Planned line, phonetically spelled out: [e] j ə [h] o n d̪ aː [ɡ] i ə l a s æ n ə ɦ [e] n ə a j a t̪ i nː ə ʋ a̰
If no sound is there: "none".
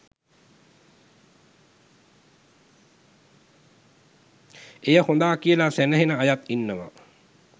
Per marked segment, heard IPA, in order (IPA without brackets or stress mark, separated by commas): e, h, k, e